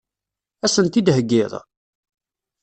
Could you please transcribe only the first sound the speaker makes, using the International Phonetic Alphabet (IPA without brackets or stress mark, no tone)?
æ